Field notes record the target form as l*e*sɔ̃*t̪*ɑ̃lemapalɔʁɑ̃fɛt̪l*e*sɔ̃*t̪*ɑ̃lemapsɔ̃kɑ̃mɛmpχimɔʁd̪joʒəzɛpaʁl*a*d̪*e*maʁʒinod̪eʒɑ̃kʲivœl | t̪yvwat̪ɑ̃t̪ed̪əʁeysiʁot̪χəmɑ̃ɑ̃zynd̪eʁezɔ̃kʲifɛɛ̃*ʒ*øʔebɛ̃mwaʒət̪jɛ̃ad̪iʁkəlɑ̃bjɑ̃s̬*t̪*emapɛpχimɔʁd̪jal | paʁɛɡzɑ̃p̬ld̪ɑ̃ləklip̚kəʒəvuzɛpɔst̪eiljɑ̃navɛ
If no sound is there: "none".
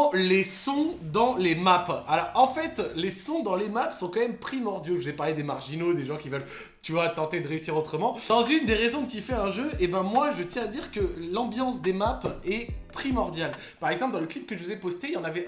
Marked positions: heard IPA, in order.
e, d̪, e, d̪, e, e, ʒ, d̪

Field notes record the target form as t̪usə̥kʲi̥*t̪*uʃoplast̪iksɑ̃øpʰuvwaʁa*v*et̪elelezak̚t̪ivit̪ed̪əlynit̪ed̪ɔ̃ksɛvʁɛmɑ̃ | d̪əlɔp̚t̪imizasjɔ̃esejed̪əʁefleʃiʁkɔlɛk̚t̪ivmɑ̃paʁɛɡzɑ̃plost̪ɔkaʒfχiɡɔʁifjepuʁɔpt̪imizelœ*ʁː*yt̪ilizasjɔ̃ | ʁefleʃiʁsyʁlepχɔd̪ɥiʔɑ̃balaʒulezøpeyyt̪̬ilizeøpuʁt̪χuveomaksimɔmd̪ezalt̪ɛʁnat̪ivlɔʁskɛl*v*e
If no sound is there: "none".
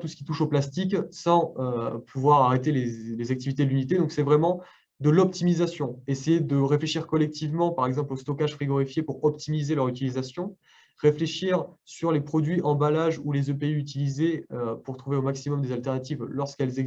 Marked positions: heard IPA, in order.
t̪, ʁ, ʁ, z

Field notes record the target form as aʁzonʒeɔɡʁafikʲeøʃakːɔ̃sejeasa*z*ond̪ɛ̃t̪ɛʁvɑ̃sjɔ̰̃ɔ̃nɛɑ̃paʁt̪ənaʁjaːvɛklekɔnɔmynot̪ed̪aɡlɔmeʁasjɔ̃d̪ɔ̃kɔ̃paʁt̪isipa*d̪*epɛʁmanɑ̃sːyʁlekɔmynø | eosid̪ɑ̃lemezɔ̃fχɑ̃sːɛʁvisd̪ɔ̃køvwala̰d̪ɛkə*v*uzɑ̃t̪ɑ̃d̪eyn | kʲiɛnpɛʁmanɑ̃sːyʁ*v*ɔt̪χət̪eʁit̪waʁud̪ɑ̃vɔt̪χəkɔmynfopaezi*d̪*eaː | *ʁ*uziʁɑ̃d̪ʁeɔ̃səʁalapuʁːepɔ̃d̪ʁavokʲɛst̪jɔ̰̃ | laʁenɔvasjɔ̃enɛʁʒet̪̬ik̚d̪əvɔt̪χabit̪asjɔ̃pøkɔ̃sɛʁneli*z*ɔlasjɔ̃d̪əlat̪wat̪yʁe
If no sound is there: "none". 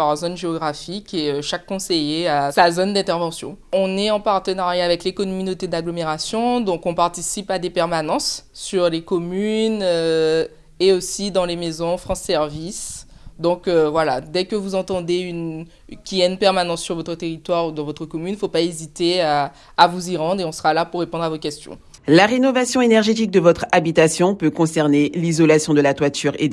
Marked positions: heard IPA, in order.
z, d̪, v, v, t̪, v, z

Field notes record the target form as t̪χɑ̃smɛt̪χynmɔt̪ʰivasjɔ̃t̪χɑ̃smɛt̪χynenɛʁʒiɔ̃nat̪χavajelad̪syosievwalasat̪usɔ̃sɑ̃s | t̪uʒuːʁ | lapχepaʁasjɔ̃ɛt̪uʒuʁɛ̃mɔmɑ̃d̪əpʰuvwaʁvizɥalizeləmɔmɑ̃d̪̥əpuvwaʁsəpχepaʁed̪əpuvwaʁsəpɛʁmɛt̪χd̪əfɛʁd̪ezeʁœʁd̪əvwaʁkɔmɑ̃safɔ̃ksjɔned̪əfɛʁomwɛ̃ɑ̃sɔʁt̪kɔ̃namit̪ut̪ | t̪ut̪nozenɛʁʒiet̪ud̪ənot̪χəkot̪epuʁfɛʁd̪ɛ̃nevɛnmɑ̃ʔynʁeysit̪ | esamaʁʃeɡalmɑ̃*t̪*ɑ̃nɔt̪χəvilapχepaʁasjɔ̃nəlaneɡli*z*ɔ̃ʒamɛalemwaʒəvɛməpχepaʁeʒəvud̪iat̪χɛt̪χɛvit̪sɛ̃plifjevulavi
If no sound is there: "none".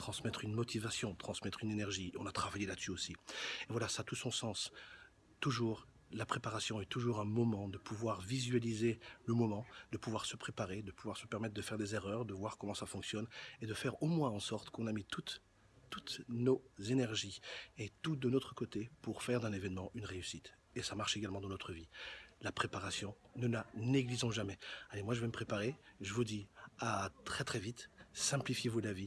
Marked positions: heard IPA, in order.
d̪, z

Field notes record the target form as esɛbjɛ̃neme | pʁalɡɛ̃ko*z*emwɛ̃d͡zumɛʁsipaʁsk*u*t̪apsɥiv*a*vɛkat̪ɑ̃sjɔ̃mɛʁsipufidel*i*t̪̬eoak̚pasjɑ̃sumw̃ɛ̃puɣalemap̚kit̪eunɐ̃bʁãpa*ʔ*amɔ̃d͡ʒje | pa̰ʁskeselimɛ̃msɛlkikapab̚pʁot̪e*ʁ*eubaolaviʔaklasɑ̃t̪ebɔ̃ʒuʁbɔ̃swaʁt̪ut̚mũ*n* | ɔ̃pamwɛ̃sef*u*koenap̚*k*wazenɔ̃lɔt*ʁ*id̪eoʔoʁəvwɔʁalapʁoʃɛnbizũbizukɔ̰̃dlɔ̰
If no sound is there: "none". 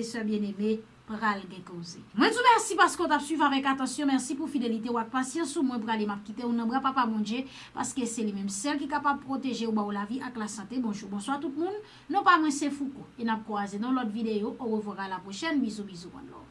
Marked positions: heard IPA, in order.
z, o, a, i, p, ʒ, nː, u, k, v

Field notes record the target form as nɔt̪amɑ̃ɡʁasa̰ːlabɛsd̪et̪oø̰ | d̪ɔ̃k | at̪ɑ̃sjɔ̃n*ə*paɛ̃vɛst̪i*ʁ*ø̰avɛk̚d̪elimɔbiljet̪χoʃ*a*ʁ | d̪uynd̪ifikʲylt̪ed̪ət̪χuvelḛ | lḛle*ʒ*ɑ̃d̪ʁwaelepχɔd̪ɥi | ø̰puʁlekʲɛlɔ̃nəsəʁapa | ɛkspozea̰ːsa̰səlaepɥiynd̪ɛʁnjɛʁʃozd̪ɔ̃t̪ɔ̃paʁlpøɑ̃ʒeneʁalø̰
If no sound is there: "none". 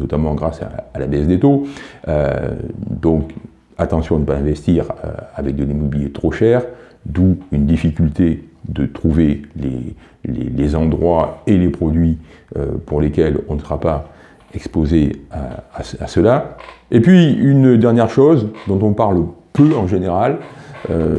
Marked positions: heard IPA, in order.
ə, ʁ, ɛ, z

